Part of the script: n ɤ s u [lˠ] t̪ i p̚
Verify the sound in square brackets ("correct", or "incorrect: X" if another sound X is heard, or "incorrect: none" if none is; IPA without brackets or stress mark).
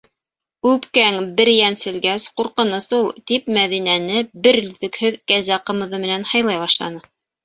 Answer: correct